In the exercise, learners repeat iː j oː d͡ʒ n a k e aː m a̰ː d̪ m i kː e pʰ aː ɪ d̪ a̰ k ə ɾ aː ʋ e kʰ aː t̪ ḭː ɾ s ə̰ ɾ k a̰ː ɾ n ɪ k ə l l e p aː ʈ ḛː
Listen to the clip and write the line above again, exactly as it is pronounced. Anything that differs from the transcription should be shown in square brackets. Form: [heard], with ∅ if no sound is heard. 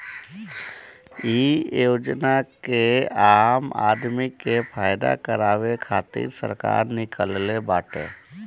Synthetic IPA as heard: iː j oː d͡ʒ n a k e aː m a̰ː d̪ m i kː e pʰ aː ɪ d̪ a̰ k ə ɾ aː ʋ e kʰ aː t̪ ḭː ɾ s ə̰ ɾ k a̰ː ɾ n ɪ k ə l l e [b] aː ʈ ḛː

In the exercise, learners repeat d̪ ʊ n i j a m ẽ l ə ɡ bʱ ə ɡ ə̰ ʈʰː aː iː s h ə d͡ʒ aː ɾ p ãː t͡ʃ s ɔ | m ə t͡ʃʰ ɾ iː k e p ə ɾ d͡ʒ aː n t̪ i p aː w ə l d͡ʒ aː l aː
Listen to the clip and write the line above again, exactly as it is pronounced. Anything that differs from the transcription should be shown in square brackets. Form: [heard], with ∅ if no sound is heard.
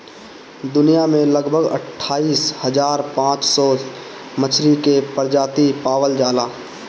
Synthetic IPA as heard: d̪ ʊ n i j a m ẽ l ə ɡ bʱ ə ɡ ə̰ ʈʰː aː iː s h ə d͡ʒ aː ɾ p ãː t͡ʃ s ɔ | m ə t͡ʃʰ ɾ [i] k e p ə ɾ d͡ʒ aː [∅] t̪ i p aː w ə l d͡ʒ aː l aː

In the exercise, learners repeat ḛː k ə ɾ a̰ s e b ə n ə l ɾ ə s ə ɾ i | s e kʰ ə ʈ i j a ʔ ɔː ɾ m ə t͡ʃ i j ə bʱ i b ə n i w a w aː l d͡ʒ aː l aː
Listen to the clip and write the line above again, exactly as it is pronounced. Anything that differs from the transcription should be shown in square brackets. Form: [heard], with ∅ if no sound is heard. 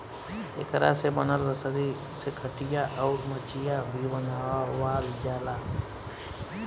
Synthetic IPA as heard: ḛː k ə ɾ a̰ s e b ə n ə l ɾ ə s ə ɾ i | s e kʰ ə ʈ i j a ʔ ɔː ɾ m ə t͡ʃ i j [a] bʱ i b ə n [a] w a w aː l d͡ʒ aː l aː

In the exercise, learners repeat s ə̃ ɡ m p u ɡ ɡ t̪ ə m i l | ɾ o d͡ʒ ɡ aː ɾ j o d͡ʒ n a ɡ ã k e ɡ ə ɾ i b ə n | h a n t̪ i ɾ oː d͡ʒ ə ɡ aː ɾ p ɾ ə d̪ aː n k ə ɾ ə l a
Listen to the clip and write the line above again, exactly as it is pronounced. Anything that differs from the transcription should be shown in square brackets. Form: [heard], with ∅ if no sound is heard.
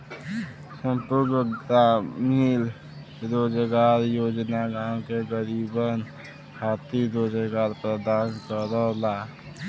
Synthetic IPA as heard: s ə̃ [∅] m p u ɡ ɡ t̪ [a] m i l | ɾ o d͡ʒ ɡ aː ɾ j o d͡ʒ n a ɡ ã k e ɡ ə ɾ i b ə n | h a [∅] t̪ i ɾ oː d͡ʒ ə ɡ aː ɾ p ɾ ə d̪ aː n k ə ɾ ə l a

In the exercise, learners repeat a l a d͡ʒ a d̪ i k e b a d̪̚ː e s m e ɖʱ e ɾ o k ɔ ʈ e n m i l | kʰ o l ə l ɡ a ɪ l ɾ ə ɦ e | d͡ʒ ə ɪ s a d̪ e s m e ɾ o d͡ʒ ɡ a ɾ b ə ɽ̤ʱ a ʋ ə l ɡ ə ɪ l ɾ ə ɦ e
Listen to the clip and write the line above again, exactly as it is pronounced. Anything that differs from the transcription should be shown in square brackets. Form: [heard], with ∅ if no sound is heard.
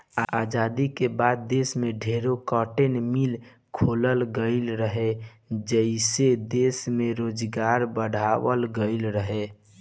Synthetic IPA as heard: a [∅] a d͡ʒ a d̪ i k e b a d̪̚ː e s m e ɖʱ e ɾ o k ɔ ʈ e n m i l | kʰ o l ə l ɡ [ə] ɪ l ɾ ə ɦ e | d͡ʒ ə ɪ s [e] d̪ e s m e ɾ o d͡ʒ ɡ a ɾ b ə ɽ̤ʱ a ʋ ə l ɡ ə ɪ l ɾ ə ɦ e

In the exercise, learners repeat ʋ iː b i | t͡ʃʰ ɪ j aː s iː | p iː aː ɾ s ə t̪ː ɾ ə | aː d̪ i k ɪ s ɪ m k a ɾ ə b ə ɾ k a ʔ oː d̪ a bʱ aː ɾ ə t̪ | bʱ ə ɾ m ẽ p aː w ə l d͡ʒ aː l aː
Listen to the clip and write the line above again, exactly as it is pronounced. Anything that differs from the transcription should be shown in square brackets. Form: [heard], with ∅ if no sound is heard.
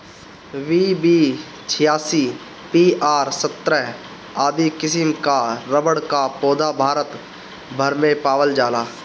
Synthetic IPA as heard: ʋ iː b i | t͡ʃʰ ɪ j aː s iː | p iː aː ɾ s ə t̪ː ɾ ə | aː d̪ i k ɪ s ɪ m k a ɾ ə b ə [ɽ] k a [p] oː d̪ a bʱ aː ɾ ə t̪ | bʱ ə ɾ m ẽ p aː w ə l d͡ʒ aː l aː

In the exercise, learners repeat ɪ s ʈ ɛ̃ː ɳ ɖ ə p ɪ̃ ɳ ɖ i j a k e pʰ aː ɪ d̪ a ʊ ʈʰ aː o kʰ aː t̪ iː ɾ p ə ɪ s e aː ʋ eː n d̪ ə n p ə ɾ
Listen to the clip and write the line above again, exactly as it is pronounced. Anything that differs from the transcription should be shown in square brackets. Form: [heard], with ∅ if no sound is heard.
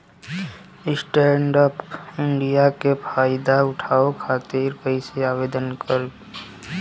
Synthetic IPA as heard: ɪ s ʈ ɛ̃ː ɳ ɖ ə p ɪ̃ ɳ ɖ i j a k e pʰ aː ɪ d̪ a ʊ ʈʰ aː o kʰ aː t̪ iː ɾ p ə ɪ s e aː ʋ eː [∅] d̪ ə n [k] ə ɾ

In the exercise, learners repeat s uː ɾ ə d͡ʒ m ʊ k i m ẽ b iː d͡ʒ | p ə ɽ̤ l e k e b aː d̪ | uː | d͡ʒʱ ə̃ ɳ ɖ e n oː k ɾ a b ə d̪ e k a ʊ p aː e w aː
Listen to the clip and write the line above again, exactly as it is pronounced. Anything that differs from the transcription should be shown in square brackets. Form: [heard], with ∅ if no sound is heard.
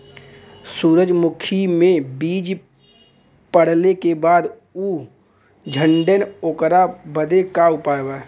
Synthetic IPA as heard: s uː ɾ ə d͡ʒ m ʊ [kʰ] i m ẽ b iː d͡ʒ | p ə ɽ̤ l e k e b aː d̪ | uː | d͡ʒʱ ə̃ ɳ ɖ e n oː k ɾ a b ə d̪ e k a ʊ p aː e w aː

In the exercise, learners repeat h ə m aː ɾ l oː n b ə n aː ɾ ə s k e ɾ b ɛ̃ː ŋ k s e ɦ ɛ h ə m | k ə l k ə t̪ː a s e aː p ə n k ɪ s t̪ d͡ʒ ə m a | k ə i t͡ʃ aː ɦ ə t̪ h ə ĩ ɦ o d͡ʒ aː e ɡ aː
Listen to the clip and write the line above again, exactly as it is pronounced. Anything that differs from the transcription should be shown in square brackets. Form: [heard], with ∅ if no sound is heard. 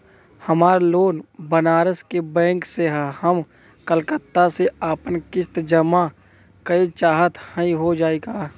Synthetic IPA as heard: h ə m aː ɾ l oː n b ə n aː ɾ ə s k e [∅] b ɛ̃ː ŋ k s e ɦ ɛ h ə m | k ə l k ə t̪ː a s e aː p ə n k ɪ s t̪ d͡ʒ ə m a | k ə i t͡ʃ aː ɦ ə t̪ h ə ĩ ɦ o d͡ʒ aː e ɡ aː

